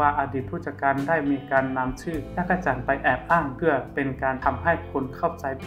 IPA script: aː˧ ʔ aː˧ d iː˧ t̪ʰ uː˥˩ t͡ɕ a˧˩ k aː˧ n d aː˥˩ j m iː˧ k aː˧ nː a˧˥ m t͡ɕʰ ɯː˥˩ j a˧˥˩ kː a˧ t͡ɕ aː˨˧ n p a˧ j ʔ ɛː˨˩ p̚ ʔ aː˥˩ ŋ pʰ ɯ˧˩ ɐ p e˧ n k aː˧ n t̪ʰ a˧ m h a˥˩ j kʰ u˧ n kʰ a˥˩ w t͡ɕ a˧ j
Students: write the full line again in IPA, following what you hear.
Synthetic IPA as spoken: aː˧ ʔ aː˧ d iː˨˩ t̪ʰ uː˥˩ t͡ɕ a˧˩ k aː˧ n d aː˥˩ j m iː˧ k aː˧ nː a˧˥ m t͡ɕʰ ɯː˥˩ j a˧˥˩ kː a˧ t͡ɕ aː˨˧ n p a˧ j ʔ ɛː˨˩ p̚ ʔ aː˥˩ ŋ pʰ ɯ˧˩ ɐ p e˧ n k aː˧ n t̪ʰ a˧ m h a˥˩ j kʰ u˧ n kʰ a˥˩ w t͡ɕ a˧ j